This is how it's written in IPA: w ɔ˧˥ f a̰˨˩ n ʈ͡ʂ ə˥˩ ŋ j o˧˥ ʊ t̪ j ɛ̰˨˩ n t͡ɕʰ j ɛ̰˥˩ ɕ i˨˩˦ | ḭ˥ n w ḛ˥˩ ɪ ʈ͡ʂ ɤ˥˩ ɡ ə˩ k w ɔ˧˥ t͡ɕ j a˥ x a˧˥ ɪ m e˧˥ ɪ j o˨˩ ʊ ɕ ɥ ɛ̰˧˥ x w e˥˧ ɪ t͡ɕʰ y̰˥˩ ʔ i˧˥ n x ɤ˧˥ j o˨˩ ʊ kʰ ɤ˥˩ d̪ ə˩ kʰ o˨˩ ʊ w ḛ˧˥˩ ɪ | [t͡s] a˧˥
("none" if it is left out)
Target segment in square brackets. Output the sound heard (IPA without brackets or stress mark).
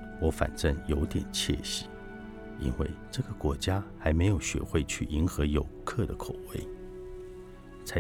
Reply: t͡sʰ